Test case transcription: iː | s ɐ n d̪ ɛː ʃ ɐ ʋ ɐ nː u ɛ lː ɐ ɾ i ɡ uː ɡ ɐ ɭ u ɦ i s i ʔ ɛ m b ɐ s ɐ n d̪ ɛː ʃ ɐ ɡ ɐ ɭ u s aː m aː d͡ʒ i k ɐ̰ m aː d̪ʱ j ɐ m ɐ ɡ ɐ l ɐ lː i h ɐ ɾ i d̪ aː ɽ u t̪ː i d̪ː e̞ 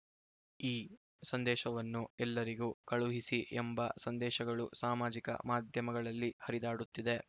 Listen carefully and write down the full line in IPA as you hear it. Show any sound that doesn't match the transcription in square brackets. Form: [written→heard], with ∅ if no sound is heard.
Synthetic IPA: iː | s ɐ n d̪ ɛː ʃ ɐ ʋ ɐ nː u ɛ lː ɐ ɾ i ɡ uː [ɡ→k] ɐ ɭ u ɦ i s i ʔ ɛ m b ɐ s ɐ n d̪ ɛː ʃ ɐ ɡ ɐ ɭ u s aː m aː d͡ʒ i k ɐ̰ m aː d̪ʱ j ɐ m ɐ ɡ ɐ [l→ɭ] ɐ lː i h ɐ ɾ i d̪ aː ɽ u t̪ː i [d̪ː→d̪] e̞